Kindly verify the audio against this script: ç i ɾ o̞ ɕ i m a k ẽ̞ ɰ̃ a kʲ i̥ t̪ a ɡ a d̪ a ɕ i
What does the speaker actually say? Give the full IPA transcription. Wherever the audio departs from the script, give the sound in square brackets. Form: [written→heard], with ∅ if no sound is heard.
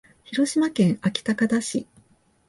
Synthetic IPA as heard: ç i ɾ o̞ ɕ i m a k ẽ̞ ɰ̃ a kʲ i̥ t̪ a [ɡ→k] a d̪ a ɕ i